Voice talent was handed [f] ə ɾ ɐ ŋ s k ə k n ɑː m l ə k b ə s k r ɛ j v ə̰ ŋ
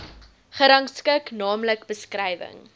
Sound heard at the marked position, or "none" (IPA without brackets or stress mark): χ